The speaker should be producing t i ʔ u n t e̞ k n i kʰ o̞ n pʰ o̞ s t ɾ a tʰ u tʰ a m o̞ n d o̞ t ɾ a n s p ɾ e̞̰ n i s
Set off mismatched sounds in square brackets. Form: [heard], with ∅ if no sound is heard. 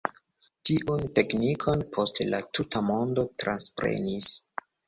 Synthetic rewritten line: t i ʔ u n t e̞ k n i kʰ o̞ n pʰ o̞ s t [l] a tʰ u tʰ a m o̞ n d o̞ t ɾ a n s p ɾ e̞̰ n i s